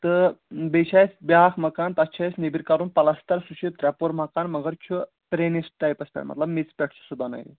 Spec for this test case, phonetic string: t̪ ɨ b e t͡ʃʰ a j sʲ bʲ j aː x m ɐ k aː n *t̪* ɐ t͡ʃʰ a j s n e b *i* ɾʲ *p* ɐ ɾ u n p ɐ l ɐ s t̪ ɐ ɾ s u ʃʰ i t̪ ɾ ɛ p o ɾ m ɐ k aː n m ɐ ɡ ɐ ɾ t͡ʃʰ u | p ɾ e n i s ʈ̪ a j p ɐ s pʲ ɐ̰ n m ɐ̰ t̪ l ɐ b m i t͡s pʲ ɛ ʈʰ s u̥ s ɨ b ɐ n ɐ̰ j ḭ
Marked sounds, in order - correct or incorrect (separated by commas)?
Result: correct, correct, incorrect